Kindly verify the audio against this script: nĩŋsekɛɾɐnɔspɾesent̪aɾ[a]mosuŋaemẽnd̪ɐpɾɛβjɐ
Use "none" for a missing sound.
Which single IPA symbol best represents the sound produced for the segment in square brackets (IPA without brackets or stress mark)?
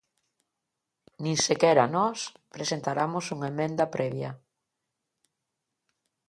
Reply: a